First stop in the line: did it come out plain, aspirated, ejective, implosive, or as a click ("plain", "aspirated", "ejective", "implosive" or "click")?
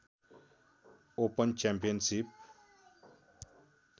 plain